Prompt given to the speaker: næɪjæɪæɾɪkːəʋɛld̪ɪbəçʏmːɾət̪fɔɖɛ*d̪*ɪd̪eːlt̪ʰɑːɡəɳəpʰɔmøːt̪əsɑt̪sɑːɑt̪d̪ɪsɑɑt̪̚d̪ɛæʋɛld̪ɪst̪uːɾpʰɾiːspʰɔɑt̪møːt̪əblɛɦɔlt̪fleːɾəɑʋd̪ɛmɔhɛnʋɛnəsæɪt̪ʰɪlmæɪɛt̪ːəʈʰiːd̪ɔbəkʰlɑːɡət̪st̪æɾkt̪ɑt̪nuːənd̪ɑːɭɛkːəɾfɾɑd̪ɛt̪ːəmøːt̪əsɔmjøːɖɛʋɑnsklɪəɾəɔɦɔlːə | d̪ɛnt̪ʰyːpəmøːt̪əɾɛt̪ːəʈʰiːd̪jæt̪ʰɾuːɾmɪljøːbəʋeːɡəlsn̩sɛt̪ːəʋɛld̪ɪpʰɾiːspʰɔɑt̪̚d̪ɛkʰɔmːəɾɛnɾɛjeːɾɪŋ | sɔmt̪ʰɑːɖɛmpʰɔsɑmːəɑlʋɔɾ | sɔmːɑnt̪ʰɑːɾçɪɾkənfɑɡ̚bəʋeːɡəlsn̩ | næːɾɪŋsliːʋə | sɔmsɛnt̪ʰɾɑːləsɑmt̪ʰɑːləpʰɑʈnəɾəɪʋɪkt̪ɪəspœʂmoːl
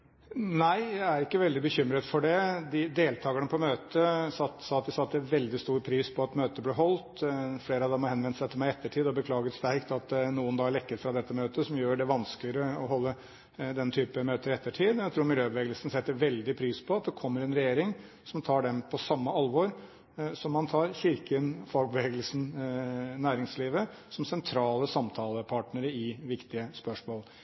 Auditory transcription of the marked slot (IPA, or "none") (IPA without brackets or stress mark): d̪